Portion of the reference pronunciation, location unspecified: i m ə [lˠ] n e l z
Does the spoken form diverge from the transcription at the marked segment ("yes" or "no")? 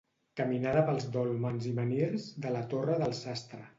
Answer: yes